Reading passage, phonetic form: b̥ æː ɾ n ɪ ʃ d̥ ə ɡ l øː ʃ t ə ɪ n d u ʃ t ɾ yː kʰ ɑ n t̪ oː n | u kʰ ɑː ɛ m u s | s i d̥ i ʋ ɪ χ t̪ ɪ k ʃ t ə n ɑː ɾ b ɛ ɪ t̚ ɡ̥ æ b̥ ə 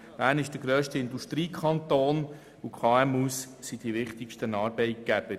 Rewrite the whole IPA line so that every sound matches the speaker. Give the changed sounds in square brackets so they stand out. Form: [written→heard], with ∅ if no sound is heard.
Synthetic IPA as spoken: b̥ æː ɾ n ɪ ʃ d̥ ə ɡ [l→ɾ] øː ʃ t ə ɪ n d u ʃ t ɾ [yː→iː] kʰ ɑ n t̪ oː n | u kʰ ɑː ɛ m u s | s i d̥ i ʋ ɪ χ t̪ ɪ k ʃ t ə n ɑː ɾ b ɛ ɪ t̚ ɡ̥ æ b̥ ə